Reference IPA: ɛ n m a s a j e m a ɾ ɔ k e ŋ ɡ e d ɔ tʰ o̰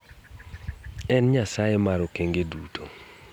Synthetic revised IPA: ɛ n ɲ a s a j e m a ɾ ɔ k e ŋ ɡ e d u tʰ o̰